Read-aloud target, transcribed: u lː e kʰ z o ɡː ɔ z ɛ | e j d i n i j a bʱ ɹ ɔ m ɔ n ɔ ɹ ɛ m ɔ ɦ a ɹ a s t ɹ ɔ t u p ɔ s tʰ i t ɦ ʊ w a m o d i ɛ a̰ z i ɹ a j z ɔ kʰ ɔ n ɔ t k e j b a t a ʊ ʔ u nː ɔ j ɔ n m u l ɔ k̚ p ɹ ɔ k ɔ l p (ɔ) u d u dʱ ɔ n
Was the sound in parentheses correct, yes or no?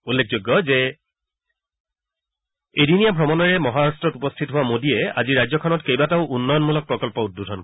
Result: yes